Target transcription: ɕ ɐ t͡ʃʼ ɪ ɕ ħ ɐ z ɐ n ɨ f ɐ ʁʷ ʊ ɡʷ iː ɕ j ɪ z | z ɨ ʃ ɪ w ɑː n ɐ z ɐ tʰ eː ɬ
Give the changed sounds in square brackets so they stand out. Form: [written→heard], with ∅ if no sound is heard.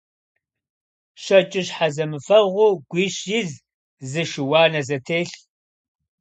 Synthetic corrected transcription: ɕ ɐ t͡ʃʼ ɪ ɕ ħ [ɐ→a] z ɐ [n→m] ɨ f ɐ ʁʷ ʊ ɡʷ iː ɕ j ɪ z | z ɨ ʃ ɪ w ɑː n ɐ z ɐ tʰ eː ɬ